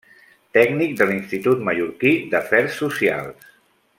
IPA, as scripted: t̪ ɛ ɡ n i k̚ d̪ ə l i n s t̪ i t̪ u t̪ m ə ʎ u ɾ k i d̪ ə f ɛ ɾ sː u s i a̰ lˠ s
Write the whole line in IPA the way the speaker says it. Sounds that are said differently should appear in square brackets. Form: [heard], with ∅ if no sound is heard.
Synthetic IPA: t̪ ɛ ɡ n i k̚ d̪ ə l i n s t̪ i t̪ u t̪ m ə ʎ u ɾ k i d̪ ə f ɛ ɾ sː u s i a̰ lˠ s